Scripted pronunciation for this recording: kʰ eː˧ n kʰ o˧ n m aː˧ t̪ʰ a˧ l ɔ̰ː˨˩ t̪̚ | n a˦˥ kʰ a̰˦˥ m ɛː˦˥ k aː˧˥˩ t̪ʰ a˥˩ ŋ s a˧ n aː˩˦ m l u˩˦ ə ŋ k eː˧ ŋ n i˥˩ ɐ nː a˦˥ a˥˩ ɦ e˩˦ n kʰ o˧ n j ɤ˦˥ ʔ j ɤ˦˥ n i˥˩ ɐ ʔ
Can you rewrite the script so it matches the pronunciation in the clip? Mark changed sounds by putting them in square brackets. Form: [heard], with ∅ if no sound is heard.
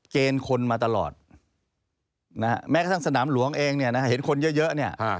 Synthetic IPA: [k] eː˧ n kʰ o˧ n m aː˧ [t̪] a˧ l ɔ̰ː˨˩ t̪̚ | n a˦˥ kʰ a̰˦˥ m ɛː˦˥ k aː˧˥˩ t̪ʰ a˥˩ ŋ s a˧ n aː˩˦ m l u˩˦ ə ŋ [ʔ] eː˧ ŋ n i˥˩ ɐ [n] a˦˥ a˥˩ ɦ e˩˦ n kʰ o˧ n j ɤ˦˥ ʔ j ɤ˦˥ n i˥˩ ɐ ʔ